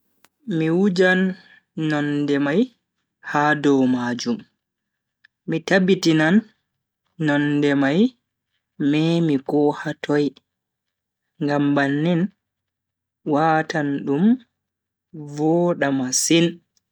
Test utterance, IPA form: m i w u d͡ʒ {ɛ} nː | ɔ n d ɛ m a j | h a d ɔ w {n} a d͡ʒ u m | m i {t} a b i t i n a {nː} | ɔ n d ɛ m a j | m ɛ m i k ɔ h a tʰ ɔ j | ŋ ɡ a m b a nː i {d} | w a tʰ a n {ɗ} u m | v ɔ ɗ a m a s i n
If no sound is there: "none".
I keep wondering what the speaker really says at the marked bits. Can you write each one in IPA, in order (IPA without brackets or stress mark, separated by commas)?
a, m, t, nː, n, ɗ